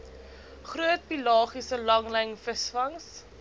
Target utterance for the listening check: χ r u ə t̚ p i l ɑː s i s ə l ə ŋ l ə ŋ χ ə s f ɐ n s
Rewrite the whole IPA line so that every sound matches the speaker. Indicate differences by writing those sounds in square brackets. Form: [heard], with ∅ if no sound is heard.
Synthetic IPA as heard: χ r u ə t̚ p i l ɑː [χ] i s ə l [ɐ] ŋ l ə ŋ [f] ə s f ɐ [ŋ] s